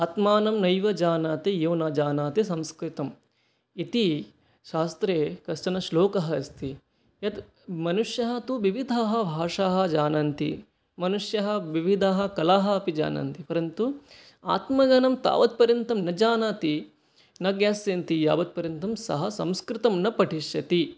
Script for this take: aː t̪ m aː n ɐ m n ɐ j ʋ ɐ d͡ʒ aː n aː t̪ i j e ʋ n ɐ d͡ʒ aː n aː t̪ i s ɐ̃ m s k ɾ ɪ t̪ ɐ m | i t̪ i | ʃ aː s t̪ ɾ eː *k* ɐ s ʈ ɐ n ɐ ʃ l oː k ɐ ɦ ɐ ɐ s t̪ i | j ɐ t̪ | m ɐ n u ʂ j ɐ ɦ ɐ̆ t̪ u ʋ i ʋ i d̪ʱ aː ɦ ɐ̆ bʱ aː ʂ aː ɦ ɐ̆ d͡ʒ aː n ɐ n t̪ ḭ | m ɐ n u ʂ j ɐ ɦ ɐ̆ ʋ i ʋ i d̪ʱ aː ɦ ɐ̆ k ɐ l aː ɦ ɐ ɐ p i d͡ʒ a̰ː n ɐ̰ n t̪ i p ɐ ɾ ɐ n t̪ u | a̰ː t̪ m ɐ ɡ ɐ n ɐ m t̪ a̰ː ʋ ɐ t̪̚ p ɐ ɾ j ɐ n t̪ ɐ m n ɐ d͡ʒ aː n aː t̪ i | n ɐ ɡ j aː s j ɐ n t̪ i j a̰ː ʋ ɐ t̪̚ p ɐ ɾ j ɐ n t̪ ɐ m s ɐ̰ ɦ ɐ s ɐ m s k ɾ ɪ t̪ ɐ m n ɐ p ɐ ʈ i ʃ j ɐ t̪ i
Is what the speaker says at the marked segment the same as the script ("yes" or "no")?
yes